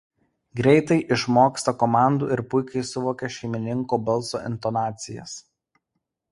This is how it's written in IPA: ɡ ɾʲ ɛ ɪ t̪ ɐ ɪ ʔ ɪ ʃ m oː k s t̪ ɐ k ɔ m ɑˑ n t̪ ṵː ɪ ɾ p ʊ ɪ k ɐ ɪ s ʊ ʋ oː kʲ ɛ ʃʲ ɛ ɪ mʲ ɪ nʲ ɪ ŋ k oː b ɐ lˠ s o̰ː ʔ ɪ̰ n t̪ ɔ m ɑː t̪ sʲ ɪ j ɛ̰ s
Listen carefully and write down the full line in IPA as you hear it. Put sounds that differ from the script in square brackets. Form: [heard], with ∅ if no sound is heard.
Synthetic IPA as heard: ɡ ɾʲ ɛ ɪ t̪ ɐ ɪ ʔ ɪ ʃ m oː k s t̪ ɐ k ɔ m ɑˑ n [d̪] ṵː ɪ ɾ p ʊ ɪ k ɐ ɪ s ʊ ʋ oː kʲ ɛ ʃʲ ɛ ɪ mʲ ɪ nʲ ɪ ŋ k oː b ɐ lˠ s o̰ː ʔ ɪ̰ n t̪ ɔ [n] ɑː t̪ sʲ ɪ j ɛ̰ s